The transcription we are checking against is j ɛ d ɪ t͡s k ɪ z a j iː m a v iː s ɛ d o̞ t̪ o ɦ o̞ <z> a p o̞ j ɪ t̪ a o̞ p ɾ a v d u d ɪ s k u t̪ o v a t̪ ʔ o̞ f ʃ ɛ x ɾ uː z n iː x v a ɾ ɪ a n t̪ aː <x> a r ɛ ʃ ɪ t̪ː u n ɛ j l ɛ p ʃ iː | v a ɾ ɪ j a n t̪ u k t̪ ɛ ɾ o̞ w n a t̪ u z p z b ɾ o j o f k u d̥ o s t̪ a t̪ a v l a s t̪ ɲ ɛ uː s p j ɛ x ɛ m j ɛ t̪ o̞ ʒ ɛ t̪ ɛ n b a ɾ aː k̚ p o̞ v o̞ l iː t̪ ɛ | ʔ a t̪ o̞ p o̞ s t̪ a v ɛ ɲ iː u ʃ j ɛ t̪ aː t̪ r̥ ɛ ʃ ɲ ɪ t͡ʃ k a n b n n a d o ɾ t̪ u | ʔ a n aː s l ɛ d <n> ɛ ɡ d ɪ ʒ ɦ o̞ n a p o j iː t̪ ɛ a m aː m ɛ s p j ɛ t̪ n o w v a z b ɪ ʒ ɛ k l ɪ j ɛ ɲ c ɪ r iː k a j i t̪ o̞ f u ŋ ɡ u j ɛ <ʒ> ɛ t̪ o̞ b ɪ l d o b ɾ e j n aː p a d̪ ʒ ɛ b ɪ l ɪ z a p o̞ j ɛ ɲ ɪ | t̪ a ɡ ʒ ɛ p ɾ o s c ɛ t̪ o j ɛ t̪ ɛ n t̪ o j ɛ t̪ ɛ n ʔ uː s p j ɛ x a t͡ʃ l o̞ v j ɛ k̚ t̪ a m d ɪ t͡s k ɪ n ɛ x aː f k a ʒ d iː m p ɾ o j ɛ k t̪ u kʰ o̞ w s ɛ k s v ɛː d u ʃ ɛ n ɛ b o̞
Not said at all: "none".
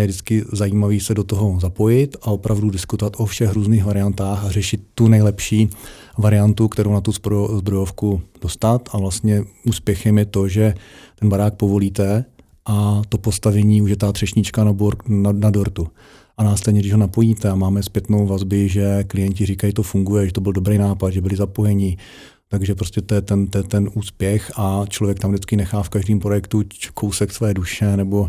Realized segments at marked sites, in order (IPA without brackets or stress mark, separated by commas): z, x, ɲ, ʒ